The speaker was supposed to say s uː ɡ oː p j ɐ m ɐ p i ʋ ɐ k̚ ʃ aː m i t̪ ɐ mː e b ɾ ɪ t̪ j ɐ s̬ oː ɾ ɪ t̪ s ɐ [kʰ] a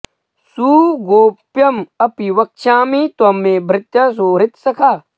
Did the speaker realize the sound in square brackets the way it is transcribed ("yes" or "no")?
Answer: yes